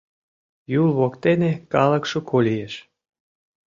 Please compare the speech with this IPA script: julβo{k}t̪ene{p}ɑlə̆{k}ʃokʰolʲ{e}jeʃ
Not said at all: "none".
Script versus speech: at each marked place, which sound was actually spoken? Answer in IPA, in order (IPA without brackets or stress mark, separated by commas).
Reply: k, k, k, i